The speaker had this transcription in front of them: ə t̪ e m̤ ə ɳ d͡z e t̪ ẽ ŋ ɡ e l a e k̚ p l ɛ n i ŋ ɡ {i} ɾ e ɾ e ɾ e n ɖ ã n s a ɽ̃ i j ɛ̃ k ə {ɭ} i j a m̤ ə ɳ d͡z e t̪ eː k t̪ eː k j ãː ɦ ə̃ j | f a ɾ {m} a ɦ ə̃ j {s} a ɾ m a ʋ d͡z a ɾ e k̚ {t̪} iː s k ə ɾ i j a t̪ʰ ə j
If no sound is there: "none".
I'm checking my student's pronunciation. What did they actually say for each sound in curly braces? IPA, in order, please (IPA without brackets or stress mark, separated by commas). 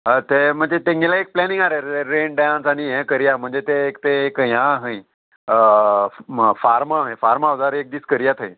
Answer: a, ɾ, m, f, d̪